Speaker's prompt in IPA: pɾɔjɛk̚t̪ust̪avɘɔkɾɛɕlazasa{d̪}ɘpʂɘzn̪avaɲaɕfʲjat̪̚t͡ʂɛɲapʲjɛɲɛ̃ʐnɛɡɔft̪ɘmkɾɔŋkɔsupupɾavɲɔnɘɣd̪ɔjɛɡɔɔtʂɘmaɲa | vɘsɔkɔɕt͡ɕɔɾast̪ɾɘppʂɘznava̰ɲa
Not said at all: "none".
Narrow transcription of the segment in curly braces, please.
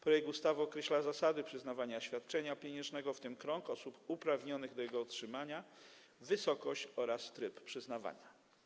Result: d̪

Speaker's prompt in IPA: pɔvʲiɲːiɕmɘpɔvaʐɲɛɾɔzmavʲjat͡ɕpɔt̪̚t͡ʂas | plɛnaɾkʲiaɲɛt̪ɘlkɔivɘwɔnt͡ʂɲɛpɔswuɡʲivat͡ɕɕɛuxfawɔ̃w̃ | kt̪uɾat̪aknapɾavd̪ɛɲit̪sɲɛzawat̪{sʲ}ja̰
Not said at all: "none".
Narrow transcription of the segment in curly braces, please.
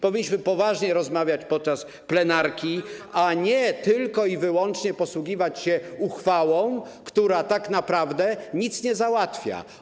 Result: fʲ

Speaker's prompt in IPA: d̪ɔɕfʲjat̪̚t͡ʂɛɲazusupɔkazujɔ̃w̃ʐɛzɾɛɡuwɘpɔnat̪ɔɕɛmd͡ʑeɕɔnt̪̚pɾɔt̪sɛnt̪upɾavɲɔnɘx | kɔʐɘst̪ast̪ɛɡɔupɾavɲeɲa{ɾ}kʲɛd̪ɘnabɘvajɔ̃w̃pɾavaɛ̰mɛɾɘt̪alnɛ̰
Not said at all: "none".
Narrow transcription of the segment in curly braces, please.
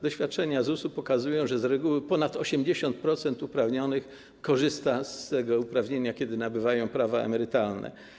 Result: none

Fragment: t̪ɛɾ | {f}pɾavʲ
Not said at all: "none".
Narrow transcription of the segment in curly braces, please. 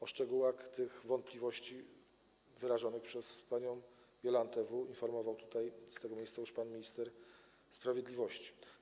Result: s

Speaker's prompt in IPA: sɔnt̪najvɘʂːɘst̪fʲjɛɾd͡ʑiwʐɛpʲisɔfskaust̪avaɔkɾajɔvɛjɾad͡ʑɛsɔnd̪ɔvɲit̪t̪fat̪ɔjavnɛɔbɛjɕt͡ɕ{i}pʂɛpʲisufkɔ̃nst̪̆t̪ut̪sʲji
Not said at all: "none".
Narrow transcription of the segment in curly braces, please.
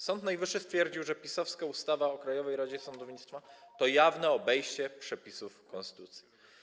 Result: ɛ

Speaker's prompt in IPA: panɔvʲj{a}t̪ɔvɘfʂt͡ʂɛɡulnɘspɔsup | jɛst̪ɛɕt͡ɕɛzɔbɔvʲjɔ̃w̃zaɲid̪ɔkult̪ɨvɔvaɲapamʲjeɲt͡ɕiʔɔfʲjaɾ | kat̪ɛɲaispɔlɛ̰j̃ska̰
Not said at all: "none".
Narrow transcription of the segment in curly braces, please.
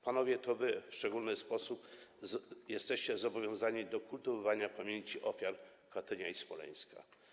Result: ɛ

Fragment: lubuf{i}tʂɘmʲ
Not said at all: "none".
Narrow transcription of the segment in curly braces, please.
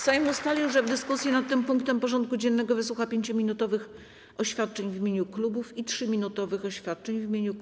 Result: i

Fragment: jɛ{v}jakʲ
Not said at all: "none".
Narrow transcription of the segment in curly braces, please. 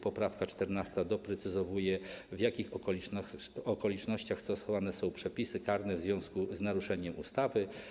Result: v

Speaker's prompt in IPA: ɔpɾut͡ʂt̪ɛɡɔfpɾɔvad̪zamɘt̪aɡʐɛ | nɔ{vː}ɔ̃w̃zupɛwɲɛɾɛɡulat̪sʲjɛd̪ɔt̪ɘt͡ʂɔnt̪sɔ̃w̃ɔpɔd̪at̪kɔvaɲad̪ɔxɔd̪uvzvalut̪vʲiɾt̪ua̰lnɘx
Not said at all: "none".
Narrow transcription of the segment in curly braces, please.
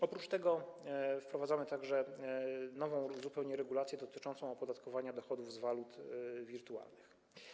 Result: v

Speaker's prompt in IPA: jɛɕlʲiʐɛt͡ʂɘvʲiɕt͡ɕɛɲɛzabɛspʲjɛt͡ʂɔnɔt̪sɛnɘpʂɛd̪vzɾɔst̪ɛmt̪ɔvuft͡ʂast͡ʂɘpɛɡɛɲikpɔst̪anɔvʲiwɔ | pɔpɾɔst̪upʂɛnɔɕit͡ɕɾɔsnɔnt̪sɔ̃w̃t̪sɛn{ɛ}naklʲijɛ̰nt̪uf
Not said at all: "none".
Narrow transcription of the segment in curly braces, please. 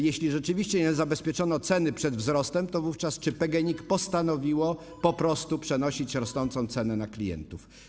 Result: ɛ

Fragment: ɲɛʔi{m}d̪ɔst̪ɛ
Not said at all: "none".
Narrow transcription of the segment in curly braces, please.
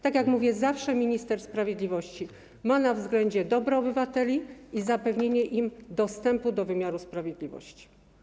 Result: m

